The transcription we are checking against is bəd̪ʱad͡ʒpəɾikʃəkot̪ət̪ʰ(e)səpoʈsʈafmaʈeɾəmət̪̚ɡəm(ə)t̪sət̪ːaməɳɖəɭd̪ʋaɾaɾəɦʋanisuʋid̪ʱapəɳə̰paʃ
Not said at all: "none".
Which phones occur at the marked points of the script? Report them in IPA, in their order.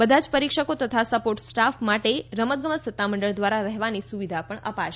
a, ə

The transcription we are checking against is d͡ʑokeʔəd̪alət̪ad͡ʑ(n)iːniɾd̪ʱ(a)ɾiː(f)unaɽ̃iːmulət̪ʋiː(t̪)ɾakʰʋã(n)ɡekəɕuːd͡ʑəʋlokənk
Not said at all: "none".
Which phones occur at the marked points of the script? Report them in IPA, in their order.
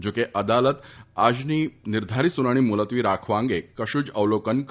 n, a, s, none, ŋ

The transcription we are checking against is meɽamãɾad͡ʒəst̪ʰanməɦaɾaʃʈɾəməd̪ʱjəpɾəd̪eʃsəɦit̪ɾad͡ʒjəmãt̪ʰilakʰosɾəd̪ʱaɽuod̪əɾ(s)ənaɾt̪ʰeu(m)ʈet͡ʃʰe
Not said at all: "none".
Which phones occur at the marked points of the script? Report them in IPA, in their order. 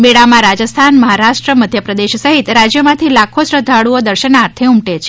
ʃ, m

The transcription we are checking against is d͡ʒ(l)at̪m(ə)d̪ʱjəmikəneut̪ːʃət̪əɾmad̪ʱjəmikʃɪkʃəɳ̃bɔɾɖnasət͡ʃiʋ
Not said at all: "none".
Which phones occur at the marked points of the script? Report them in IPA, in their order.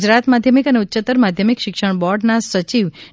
ɾ, a

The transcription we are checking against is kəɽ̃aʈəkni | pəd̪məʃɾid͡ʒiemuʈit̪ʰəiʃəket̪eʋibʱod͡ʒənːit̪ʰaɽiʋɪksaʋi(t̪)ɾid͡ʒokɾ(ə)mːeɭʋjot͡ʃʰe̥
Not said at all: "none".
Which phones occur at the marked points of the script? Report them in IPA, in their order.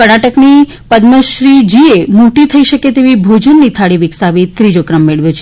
t̪, ə

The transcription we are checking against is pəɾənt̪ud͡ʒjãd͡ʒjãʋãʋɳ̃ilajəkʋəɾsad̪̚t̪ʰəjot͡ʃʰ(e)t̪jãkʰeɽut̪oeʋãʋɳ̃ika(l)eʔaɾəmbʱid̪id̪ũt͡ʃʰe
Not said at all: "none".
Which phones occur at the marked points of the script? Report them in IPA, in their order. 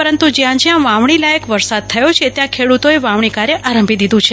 e, ɾ

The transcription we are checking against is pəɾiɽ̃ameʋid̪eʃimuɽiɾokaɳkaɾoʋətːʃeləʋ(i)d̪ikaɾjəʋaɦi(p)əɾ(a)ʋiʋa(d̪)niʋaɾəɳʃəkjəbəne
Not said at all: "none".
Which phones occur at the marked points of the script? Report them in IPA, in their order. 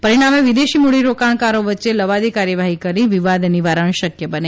a, k, i, d̪

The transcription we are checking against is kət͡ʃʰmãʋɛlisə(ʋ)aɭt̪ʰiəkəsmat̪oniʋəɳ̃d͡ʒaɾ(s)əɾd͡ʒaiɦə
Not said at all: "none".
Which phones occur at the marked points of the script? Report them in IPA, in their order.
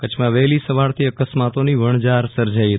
ʋ, s

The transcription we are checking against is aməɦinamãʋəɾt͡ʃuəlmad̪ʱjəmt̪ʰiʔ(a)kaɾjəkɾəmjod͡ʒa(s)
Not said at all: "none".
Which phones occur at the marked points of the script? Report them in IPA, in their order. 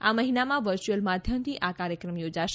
a, ʃ

